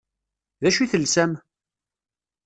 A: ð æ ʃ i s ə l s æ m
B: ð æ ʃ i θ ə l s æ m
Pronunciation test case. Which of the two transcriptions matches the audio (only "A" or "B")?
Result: B